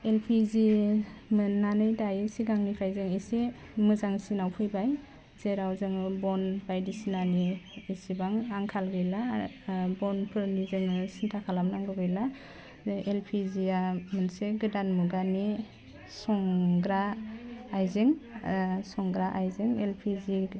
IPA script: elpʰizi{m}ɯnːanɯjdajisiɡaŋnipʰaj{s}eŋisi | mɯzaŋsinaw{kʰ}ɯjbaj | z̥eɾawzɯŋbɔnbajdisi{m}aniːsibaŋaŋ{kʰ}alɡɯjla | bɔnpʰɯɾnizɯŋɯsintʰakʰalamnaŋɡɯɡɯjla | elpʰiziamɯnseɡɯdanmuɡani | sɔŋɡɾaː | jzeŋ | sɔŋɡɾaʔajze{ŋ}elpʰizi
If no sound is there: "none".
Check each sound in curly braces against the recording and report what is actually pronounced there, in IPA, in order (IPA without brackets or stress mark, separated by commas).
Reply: m, z, pʰ, n, kʰ, ŋ